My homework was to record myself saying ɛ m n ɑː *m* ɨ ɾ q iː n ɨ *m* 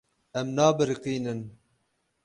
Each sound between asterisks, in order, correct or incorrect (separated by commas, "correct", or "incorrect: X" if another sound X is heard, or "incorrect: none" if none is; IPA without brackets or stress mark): incorrect: b, incorrect: n